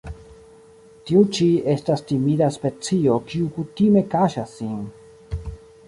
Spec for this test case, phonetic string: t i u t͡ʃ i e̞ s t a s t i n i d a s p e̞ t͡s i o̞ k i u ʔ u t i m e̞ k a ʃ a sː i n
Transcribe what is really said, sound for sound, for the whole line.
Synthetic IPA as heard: t i u t͡ʃ i e̞ s t a s t i m i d a s p e̞ t͡s i o̞ k i u k u t i m e̞ k a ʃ a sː i n